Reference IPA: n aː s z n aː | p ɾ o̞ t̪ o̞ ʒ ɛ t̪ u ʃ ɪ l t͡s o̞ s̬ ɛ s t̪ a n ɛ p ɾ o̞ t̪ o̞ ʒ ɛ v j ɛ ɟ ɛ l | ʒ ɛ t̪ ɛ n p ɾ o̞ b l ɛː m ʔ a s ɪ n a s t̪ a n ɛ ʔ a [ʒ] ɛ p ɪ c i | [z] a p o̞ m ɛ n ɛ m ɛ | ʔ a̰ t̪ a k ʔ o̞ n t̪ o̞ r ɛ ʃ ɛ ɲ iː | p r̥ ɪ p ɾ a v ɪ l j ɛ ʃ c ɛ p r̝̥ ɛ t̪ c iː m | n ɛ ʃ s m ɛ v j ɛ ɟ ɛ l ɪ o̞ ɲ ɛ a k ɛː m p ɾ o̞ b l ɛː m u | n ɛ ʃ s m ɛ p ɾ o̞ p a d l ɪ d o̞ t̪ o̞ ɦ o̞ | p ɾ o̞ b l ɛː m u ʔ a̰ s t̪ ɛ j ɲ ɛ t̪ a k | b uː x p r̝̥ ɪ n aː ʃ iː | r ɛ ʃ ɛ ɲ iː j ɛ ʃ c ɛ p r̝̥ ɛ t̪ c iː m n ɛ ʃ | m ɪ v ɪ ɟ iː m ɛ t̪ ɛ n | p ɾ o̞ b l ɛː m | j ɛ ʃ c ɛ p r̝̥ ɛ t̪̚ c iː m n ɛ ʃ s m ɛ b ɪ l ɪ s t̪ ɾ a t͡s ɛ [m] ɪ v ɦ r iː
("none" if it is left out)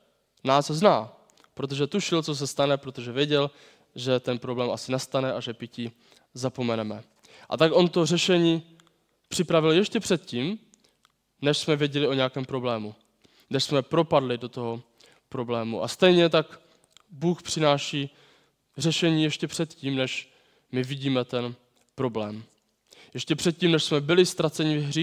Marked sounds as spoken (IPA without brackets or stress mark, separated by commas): ʒ, z, ɲ